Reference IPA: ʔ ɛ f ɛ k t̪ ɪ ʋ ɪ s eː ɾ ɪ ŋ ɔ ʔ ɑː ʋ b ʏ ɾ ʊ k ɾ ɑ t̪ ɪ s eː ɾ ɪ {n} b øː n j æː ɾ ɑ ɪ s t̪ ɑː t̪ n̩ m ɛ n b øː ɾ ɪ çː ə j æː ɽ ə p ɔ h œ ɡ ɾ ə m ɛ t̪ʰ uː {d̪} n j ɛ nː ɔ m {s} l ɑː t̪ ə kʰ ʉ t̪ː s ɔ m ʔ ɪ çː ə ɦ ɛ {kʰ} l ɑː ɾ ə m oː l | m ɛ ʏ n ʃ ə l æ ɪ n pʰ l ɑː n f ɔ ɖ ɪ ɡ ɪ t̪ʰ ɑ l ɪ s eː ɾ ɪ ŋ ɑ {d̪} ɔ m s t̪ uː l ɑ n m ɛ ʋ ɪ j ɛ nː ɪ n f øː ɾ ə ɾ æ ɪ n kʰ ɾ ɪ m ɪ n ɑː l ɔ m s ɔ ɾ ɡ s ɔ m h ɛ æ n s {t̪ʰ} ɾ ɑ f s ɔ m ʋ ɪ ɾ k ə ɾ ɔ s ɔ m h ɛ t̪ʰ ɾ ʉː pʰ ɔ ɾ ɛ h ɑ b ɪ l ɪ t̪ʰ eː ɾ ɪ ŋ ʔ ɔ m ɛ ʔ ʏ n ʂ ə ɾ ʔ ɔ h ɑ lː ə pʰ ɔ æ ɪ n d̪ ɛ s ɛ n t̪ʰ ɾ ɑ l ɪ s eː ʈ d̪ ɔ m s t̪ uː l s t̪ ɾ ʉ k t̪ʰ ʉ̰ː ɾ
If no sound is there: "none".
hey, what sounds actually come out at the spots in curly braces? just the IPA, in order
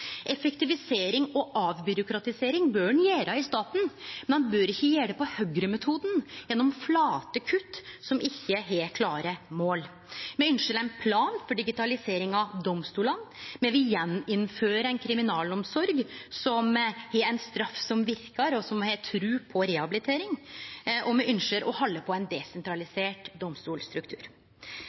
ŋ, d̪, f, kʰ, d̪, t̪

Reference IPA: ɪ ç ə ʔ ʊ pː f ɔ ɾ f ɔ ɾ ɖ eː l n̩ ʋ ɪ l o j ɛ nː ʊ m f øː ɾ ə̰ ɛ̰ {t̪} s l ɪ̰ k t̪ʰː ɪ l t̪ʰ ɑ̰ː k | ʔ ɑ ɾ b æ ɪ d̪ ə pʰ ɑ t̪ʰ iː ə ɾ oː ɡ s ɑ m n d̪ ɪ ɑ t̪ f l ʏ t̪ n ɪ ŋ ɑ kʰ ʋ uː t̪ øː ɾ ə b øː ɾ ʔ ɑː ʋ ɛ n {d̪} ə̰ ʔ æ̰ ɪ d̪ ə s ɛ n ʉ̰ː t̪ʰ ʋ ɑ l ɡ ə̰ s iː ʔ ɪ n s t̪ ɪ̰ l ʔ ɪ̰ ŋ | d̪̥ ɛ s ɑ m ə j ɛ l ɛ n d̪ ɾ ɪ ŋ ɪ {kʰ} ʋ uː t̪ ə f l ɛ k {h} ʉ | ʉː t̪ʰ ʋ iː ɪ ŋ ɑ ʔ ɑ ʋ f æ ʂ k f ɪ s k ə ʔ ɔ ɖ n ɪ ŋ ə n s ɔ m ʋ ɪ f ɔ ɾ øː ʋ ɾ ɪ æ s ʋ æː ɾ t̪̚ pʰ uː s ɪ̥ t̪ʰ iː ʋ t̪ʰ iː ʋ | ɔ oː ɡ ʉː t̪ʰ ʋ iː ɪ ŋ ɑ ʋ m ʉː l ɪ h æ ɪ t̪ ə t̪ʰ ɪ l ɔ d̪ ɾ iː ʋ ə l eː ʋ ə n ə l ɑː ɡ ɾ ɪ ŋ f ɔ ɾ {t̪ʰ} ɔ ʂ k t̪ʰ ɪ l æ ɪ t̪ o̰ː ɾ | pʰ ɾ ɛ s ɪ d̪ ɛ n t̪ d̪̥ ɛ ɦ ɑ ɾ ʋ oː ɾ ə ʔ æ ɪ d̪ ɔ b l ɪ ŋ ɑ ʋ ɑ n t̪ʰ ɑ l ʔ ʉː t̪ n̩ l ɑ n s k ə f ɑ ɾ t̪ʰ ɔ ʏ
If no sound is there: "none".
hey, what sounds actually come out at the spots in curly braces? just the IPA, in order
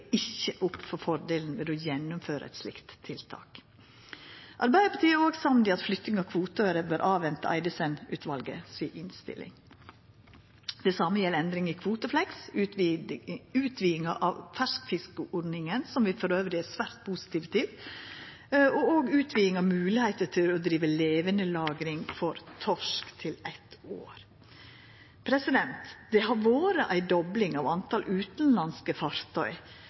t̪, t̪, kʰ, s, t̪ʰ

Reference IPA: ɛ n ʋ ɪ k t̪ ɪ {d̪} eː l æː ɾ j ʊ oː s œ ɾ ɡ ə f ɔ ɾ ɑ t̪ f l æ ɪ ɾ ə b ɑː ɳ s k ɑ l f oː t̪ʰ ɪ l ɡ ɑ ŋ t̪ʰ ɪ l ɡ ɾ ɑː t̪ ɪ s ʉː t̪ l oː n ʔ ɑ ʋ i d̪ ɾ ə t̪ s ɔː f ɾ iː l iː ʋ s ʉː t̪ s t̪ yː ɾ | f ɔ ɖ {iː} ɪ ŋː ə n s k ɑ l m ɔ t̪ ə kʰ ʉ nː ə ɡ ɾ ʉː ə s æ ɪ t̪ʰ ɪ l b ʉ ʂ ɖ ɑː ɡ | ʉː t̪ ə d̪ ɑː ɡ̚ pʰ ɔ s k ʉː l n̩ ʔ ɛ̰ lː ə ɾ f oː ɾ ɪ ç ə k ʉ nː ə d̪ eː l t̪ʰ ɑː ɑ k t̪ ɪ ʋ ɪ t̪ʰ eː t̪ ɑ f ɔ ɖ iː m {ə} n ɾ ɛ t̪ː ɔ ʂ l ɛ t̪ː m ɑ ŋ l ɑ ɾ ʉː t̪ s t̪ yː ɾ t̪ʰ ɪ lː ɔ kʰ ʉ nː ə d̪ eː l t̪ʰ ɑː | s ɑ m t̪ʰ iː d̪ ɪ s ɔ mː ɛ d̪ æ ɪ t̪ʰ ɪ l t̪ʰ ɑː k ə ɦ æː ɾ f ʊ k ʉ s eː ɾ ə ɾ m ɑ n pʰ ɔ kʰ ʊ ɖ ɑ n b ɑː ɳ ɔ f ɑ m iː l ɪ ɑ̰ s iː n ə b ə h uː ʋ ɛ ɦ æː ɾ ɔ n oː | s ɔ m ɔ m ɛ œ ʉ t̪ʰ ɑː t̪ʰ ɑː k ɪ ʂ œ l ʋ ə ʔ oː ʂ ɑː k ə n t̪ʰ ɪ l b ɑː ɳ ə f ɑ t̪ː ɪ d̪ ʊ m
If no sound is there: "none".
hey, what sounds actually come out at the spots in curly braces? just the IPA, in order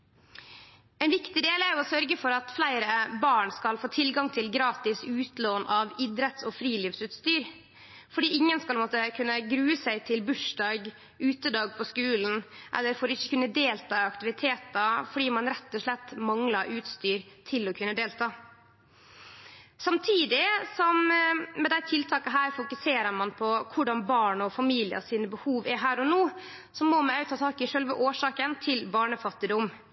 d̪, iː, ɑ

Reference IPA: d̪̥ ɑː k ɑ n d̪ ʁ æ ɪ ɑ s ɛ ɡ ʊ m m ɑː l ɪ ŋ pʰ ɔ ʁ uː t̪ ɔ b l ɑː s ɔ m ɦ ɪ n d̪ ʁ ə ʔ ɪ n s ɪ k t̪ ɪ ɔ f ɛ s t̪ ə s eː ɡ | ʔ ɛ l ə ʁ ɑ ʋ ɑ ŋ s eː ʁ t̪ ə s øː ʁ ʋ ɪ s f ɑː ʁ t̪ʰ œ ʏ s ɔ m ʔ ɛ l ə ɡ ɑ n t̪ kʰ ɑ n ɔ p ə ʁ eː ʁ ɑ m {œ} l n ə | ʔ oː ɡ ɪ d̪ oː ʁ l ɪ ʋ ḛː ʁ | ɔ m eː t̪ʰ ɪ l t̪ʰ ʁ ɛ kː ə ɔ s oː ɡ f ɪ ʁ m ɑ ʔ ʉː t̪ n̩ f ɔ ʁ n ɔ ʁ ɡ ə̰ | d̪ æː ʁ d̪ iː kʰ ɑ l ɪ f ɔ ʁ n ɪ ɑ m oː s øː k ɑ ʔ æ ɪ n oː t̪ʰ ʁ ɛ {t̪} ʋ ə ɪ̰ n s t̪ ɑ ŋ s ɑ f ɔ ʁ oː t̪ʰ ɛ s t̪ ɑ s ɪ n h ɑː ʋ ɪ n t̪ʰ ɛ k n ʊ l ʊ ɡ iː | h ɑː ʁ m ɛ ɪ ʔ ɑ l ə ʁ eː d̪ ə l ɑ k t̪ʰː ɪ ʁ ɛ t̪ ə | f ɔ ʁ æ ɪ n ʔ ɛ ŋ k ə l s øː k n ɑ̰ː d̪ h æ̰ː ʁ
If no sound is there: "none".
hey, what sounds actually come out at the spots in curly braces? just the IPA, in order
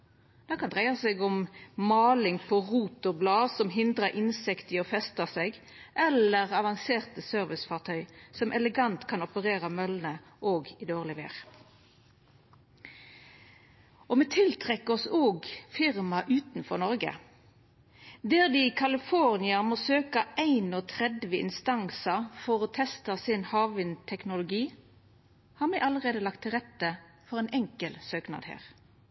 œ, d̪

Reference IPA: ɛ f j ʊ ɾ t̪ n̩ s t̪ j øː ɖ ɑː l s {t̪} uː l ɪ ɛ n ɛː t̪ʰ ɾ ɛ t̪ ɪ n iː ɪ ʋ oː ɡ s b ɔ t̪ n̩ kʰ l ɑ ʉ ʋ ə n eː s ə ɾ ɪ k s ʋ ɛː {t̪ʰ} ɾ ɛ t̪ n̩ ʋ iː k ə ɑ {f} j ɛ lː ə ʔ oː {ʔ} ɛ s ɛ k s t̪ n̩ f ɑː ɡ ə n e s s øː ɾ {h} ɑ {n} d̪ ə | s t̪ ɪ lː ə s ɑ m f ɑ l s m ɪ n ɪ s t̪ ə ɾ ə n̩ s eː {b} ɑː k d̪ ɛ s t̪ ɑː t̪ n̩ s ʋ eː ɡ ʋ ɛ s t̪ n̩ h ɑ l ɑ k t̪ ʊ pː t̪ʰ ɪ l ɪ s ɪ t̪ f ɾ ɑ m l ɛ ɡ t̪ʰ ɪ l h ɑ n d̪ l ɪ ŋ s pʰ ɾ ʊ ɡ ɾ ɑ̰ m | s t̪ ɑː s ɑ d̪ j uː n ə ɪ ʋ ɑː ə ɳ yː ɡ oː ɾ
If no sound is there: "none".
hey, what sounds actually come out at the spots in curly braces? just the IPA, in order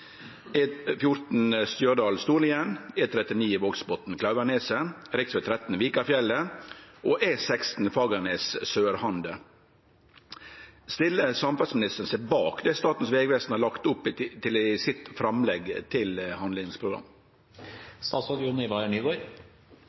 t̪, t̪ʰ, f, ʔ, h, n, b

